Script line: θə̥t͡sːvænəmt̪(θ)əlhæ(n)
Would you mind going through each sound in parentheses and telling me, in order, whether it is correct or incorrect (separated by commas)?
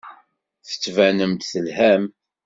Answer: correct, incorrect